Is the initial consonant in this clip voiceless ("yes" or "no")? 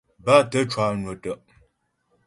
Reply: no